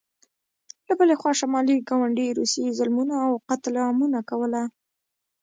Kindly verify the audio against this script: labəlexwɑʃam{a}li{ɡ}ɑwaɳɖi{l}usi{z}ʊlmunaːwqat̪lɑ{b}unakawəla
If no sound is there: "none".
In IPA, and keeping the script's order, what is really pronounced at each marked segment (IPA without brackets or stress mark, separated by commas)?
ɑ, ɡ, ɾ, z, m